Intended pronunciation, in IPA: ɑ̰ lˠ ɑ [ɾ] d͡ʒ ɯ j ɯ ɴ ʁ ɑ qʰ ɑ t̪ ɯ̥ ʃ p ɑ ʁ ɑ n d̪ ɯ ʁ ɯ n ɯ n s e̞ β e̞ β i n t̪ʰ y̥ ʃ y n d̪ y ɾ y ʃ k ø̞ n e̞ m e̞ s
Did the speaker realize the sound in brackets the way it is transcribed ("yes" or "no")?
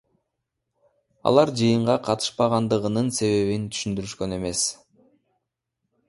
yes